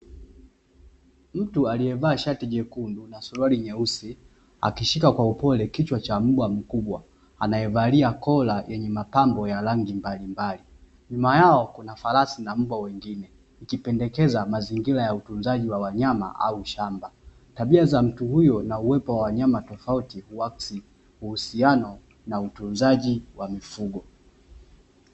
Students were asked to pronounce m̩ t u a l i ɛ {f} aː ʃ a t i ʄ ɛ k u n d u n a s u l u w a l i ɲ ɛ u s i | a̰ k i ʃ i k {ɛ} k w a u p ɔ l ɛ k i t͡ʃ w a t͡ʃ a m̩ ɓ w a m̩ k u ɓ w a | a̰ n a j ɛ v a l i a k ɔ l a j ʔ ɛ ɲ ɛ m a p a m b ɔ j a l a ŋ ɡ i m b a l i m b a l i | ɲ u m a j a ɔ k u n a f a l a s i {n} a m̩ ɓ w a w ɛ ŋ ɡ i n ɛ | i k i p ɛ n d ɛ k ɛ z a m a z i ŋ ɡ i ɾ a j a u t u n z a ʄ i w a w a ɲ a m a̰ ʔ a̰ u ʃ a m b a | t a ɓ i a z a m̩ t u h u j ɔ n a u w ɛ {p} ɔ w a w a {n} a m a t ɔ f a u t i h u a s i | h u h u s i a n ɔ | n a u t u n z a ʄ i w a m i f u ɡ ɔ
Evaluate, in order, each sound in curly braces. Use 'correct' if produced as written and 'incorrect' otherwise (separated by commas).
incorrect, incorrect, correct, correct, incorrect